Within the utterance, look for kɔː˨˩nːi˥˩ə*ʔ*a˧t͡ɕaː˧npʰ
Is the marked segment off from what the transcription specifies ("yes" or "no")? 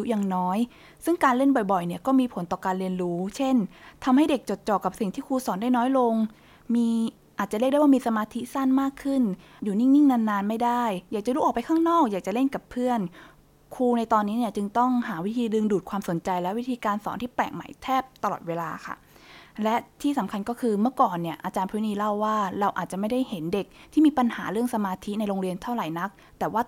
no